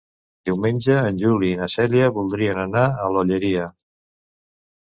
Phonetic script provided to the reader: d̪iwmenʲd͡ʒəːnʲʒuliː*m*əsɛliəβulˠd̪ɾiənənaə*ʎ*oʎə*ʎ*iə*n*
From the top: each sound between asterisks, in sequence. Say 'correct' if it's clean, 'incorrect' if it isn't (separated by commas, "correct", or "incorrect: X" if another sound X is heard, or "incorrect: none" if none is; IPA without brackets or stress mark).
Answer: incorrect: n, incorrect: l, incorrect: ɾ, incorrect: none